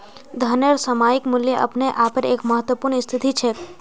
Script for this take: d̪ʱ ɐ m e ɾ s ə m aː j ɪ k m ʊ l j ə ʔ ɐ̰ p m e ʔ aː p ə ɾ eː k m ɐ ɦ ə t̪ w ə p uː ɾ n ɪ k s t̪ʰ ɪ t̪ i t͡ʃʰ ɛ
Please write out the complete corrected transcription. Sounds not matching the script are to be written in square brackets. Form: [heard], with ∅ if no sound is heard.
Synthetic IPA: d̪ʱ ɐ [n] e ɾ s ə m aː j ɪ k m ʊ l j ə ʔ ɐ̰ p [n] e ʔ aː p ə ɾ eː k m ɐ ɦ ə t̪ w ə p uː ɾ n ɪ [∅] s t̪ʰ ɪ t̪ i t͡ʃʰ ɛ